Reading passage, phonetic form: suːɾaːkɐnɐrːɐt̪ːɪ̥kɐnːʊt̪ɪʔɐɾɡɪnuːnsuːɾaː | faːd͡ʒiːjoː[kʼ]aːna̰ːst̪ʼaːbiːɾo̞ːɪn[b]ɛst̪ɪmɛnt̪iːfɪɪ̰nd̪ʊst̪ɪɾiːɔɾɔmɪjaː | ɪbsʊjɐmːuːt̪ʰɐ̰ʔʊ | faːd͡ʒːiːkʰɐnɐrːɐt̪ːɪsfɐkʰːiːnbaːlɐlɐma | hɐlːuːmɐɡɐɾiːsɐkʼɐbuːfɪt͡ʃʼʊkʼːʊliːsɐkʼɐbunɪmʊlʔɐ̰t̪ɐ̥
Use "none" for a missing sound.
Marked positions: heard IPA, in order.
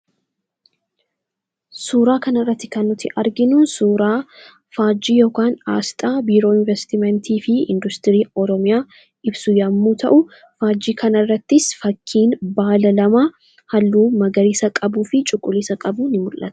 k, v

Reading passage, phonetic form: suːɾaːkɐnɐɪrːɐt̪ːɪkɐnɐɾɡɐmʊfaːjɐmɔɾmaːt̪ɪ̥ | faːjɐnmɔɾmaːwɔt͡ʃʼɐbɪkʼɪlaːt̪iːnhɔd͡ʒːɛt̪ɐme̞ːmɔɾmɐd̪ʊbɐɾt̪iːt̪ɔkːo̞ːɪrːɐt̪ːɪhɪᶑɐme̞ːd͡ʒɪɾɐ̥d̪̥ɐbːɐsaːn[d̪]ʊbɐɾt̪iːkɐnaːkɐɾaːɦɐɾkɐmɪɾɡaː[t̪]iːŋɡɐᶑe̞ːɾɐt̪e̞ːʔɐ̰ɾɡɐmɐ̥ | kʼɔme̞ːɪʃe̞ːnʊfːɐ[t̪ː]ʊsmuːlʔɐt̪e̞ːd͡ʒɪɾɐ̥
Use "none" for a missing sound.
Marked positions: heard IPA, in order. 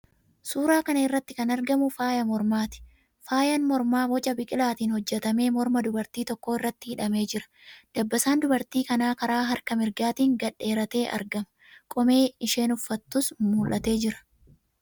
d̪, t̪, t̪ː

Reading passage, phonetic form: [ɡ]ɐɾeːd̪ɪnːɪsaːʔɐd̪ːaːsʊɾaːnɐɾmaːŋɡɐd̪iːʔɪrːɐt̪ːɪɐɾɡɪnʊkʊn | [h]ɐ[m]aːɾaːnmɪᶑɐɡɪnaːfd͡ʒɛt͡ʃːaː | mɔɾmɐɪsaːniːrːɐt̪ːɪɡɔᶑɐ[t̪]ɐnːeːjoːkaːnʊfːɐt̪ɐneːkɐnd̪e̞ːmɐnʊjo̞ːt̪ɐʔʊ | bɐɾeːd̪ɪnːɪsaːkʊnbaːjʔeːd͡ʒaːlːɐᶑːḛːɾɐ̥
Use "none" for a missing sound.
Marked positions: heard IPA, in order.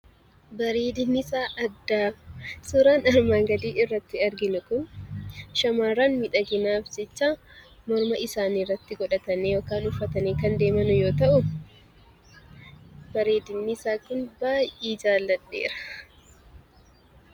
b, ʃ, m, t̪

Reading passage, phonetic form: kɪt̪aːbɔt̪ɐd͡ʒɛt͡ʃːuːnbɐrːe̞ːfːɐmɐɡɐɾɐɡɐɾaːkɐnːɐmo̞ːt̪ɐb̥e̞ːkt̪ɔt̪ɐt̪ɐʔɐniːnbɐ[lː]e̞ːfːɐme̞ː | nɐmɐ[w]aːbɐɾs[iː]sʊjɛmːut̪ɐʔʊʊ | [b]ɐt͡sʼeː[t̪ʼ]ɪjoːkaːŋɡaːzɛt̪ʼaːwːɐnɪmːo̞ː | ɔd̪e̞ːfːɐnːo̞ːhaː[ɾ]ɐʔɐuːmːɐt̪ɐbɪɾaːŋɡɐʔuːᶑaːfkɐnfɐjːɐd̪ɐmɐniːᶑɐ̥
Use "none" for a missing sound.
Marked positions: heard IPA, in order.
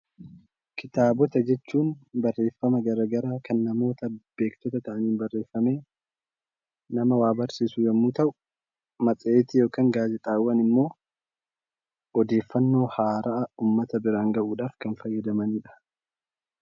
rː, w, iː, m, t̪, ɾ

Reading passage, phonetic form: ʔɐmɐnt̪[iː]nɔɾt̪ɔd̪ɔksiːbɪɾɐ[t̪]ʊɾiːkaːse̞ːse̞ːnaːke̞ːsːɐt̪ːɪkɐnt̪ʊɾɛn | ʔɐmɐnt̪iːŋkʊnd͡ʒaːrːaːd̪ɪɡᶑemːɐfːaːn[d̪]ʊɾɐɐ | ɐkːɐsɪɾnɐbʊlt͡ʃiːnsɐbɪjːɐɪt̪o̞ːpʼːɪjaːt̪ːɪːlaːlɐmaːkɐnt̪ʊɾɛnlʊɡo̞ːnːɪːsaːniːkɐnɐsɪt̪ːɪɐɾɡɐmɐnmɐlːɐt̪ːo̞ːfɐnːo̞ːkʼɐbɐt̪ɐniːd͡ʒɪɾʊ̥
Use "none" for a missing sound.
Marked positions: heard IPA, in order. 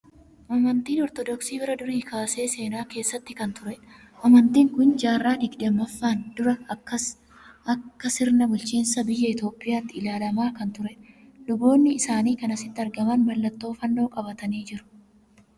iː, d̪, d̪

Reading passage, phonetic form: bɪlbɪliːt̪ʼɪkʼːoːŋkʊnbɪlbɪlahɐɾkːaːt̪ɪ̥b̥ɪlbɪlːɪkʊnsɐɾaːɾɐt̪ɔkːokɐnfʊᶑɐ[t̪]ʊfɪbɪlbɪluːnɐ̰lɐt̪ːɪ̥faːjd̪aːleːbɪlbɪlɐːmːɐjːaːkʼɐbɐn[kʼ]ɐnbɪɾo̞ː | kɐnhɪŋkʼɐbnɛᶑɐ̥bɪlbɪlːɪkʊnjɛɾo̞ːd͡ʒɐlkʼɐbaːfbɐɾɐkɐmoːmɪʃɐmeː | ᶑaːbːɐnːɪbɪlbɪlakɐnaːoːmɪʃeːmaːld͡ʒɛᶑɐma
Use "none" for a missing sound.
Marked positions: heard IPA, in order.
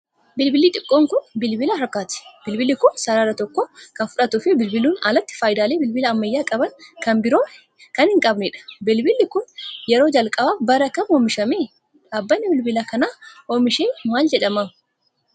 t̪, k

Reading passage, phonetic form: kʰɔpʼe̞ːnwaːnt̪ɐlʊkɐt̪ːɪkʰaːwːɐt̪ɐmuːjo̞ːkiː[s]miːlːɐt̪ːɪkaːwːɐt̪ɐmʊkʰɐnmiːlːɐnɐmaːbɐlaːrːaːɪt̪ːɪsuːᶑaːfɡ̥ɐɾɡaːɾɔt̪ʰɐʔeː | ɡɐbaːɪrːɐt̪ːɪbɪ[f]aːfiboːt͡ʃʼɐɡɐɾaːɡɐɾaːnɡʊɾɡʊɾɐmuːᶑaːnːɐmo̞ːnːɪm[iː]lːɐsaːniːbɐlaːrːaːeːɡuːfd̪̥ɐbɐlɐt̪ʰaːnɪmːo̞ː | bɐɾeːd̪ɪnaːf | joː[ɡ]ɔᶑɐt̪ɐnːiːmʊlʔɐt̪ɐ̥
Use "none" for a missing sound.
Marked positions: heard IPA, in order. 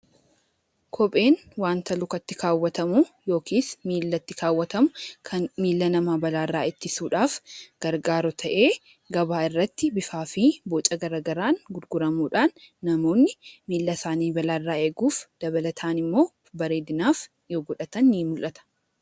s, f, iː, ɡ

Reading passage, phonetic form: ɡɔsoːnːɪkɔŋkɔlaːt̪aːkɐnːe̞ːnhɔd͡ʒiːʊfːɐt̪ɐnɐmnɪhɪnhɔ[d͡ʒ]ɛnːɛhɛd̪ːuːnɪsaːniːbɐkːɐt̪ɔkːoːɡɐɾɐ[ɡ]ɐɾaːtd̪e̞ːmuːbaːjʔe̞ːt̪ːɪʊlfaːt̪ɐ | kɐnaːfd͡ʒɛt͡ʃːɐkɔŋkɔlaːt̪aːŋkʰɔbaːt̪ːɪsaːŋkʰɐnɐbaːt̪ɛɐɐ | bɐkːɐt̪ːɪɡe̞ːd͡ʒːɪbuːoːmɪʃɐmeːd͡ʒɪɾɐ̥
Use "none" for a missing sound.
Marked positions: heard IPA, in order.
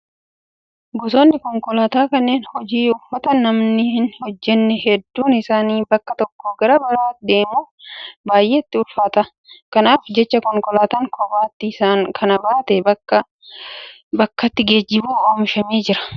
d͡ʒː, b

